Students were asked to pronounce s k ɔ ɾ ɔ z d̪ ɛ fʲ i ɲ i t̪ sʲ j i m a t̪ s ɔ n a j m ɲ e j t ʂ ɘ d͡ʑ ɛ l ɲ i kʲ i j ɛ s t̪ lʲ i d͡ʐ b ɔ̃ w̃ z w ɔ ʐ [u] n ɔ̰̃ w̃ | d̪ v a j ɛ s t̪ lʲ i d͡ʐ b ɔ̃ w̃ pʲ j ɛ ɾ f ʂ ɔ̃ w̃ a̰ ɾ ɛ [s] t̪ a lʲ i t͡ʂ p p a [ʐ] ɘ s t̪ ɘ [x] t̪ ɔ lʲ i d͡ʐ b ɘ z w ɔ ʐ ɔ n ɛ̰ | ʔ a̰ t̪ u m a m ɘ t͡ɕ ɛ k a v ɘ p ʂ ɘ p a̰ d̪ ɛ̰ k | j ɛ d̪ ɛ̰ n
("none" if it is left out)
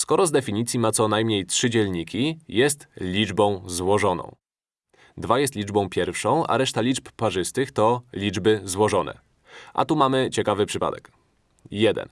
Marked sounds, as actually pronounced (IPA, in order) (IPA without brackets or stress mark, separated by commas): ɔ, ʂ, ʐ, x